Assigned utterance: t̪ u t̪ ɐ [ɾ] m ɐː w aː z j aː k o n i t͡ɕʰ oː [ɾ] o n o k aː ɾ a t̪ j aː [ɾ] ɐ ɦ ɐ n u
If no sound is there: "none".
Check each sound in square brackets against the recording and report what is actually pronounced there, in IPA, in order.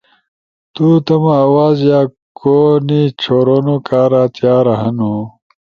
none, ɾ, ɾ

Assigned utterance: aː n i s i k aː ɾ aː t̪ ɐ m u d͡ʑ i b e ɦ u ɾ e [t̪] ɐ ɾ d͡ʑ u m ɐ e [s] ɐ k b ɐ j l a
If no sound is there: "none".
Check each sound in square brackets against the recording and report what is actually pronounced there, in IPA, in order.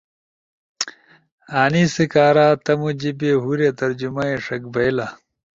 t̪, ʂ

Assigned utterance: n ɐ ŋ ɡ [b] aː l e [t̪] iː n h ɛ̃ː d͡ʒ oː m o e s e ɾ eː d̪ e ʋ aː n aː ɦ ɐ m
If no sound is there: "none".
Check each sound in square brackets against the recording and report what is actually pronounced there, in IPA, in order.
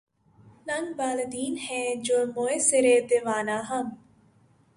b, d̪

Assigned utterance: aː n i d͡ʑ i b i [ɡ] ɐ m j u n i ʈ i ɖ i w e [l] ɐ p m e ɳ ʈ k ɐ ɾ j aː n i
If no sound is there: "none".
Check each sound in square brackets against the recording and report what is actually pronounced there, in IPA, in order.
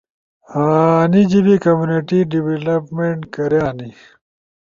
k, l

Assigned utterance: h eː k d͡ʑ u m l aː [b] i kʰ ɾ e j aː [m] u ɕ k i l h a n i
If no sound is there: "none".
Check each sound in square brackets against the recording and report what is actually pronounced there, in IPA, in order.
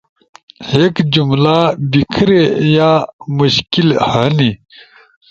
b, m

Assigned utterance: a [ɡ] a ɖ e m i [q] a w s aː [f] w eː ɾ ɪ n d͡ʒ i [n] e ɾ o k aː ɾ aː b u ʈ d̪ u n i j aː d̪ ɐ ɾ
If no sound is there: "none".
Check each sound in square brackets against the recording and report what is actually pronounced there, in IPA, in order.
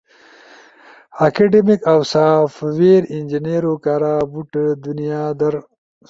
k, k, f, n

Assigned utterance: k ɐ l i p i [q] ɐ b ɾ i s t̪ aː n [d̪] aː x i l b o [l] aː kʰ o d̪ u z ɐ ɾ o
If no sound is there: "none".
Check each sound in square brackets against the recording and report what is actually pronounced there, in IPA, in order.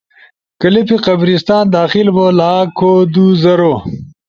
q, d̪, l

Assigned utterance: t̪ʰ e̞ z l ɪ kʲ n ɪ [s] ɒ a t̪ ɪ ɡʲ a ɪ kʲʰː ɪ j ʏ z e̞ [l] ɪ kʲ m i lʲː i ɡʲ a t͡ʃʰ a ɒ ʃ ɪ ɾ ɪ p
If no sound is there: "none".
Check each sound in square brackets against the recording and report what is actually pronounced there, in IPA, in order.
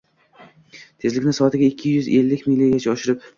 s, lː

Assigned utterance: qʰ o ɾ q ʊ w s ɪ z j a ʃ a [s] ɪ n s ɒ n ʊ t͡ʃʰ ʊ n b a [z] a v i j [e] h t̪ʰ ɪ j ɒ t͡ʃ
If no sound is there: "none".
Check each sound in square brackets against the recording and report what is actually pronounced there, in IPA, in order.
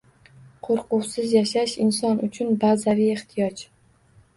ʃ, z, e

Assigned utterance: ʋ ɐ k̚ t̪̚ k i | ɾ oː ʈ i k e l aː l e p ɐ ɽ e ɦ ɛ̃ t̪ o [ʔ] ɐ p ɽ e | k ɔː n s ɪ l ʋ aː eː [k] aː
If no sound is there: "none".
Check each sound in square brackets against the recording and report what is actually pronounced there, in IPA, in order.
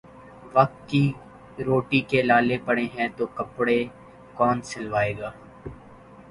k, ɡ

